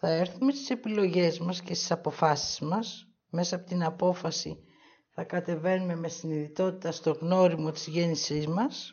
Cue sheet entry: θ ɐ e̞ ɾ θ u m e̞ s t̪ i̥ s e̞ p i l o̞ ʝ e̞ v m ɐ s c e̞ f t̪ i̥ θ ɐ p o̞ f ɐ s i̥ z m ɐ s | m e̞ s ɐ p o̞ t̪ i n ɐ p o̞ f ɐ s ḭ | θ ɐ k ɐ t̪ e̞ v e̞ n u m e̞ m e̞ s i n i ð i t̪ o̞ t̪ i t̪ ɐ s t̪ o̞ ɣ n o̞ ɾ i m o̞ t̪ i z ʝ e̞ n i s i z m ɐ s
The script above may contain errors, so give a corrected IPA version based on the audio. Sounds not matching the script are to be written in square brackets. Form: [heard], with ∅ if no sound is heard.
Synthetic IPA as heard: θ ɐ e̞ ɾ θ u m e̞ s t̪ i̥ s e̞ p i l o̞ ʝ e̞ [z] m ɐ s c e̞ [s] t̪ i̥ [s] ɐ p o̞ f ɐ s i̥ z m ɐ s | m e̞ s ɐ p o̞ t̪ i n ɐ p o̞ f ɐ s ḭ | θ ɐ k ɐ t̪ e̞ v e̞ n u m e̞ m e̞ s i n i ð i t̪ o̞ t̪ i t̪ ɐ s t̪ o̞ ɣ n o̞ ɾ i m o̞ t̪ i z ʝ e̞ n i s i z m ɐ s